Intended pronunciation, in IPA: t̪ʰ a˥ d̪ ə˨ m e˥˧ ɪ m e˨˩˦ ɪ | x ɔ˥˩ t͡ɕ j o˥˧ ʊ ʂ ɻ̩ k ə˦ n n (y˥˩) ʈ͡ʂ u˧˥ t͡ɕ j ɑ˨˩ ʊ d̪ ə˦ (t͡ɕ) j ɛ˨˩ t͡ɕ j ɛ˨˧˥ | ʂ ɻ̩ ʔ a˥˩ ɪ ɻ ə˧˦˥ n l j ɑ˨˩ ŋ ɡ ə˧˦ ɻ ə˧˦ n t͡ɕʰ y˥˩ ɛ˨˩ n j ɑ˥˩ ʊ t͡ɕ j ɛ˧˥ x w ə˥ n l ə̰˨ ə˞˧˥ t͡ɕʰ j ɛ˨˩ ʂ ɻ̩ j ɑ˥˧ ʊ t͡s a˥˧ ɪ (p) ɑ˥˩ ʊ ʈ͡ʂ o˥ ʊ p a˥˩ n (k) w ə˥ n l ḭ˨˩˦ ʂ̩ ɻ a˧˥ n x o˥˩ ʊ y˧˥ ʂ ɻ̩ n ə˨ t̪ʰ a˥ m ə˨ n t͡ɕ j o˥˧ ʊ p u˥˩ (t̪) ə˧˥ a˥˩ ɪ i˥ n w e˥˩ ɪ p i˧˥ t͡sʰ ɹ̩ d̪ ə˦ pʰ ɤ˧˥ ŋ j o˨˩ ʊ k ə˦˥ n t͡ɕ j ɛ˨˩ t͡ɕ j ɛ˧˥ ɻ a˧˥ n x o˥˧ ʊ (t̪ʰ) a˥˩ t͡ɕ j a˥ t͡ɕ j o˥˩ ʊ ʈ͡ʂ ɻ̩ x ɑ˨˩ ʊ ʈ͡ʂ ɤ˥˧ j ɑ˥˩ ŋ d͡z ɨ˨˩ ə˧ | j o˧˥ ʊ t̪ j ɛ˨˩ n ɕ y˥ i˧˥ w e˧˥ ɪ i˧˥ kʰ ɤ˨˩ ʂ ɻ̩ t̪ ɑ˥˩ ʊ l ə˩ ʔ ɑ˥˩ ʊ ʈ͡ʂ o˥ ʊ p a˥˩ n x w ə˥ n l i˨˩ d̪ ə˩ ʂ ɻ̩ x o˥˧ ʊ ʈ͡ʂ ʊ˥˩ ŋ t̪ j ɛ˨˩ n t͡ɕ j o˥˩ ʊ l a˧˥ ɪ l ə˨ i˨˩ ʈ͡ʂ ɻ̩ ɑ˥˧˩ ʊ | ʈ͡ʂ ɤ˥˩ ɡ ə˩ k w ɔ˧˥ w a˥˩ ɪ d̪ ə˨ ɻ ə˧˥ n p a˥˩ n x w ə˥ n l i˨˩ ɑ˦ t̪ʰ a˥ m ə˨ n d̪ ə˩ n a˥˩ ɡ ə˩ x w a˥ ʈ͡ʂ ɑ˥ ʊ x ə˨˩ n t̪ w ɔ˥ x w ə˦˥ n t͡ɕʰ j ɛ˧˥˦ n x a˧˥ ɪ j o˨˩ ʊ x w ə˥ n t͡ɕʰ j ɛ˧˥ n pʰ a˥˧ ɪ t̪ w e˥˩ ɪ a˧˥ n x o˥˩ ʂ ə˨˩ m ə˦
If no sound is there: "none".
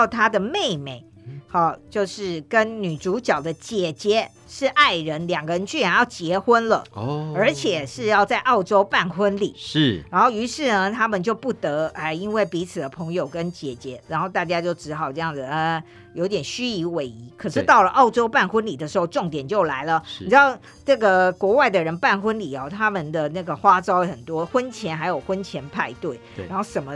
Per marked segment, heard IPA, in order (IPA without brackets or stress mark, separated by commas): y˨˩, t͡ɕ, ʔ, x, t̪, t̪